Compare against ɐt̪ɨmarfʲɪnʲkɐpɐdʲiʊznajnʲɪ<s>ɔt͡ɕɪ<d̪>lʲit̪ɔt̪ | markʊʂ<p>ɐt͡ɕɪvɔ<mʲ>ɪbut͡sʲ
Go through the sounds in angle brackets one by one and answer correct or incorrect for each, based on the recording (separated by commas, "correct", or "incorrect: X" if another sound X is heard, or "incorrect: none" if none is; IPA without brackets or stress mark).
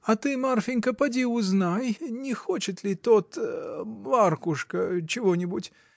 incorrect: x, incorrect: t̪, incorrect: k, incorrect: nʲ